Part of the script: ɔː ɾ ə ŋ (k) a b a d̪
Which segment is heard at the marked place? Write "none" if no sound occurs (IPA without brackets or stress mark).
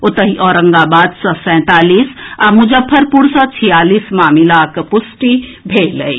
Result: ɡ